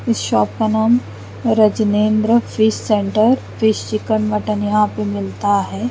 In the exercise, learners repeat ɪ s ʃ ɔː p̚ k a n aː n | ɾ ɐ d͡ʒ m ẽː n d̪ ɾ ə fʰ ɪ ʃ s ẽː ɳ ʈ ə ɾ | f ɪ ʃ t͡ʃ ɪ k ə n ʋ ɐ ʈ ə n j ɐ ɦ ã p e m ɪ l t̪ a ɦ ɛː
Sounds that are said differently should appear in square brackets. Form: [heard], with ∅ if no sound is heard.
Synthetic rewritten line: ɪ s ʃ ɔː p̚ k a n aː [m] | ɾ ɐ d͡ʒ [n] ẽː n d̪ ɾ ə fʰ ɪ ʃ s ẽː ɳ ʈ ə ɾ | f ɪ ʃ t͡ʃ ɪ k ə n ʋ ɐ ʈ ə n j ɐ ɦ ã p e m ɪ l t̪ a ɦ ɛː

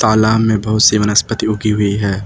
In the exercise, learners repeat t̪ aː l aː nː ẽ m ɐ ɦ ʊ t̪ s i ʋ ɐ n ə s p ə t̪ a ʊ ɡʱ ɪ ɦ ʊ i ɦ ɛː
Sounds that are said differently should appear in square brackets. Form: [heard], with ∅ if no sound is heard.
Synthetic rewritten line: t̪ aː l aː [mː] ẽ [b] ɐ ɦ ʊ t̪ s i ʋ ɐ n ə s p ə t̪ [i] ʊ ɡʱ [i] ɦ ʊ i ɦ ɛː

